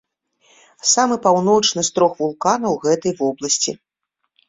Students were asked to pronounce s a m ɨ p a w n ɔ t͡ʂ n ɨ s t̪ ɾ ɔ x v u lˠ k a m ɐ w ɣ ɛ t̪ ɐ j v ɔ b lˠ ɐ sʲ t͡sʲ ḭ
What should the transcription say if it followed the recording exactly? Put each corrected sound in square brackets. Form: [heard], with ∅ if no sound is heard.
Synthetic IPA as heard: s a m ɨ p a w n ɔ t͡ʂ n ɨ s t̪ ɾ ɔ x v u lˠ k a [n] ɐ w ɣ ɛ t̪ ɐ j v ɔ b lˠ ɐ sʲ t͡sʲ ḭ